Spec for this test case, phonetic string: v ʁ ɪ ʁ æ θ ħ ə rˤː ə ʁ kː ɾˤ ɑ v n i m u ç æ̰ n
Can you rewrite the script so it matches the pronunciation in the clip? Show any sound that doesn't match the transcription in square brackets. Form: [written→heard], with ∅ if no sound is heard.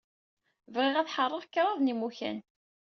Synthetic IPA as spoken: v ʁ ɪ ʁ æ θ ħ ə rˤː ə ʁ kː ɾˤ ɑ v n i m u ç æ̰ n